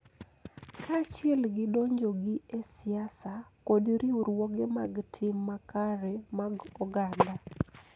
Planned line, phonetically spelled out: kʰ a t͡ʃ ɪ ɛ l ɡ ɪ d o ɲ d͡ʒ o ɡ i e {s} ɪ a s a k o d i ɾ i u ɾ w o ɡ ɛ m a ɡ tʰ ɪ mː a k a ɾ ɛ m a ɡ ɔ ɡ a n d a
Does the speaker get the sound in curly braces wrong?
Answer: no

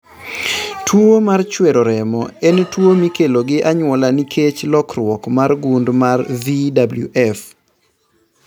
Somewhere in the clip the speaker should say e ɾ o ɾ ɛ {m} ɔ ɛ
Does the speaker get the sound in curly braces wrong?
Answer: no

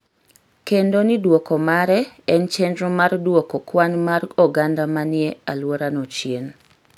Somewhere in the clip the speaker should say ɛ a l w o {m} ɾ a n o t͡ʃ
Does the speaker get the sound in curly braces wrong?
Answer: yes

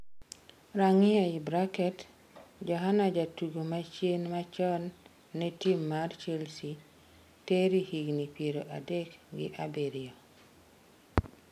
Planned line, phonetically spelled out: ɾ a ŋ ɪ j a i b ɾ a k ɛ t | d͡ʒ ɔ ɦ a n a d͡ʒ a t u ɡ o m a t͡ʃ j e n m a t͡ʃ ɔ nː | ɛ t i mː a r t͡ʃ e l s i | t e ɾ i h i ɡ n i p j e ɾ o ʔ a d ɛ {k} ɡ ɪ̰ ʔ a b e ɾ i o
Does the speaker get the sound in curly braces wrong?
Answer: no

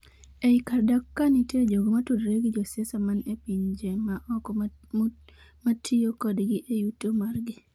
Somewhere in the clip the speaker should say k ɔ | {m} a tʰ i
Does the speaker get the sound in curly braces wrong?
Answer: no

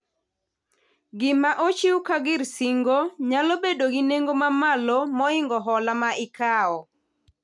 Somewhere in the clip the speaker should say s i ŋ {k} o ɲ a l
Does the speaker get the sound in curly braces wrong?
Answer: yes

